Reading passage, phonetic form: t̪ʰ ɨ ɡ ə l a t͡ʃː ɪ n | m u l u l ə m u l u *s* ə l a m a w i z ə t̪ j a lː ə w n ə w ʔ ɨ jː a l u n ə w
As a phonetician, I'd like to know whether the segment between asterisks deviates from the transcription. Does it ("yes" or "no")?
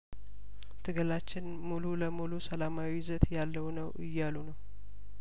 no